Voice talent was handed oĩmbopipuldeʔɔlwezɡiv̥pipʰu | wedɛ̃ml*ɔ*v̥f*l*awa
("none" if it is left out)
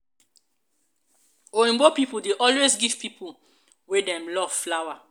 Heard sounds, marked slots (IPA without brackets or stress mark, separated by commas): ɔ, l